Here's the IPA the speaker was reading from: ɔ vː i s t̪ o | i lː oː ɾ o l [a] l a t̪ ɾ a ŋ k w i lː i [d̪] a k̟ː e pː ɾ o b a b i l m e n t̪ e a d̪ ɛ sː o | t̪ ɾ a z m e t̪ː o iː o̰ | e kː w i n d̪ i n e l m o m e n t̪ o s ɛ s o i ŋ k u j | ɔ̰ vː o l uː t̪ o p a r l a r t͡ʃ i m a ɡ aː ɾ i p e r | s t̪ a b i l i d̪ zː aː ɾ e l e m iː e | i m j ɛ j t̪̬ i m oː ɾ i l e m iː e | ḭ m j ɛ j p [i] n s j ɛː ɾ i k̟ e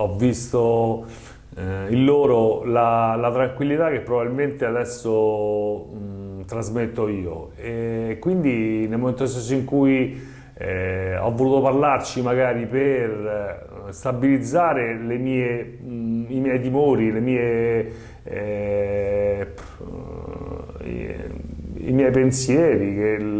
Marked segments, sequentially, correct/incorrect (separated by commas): correct, incorrect, incorrect